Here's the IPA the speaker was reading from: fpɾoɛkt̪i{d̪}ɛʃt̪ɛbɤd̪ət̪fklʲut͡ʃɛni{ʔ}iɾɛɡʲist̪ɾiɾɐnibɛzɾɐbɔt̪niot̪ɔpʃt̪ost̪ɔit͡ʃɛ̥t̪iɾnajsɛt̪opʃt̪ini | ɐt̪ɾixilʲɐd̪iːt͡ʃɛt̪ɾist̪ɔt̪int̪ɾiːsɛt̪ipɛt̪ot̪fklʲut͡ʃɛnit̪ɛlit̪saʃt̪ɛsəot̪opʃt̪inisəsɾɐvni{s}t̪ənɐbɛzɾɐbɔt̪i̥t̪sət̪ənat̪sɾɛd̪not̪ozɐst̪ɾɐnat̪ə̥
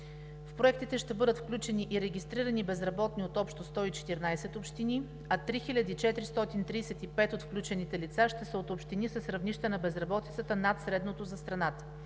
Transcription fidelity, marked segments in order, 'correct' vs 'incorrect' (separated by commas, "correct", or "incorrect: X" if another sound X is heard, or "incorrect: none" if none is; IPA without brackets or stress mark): incorrect: t̪, correct, incorrect: ʃ